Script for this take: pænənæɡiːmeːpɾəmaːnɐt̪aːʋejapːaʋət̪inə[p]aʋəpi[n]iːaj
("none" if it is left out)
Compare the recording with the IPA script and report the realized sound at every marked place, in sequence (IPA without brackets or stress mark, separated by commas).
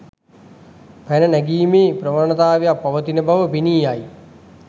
b, n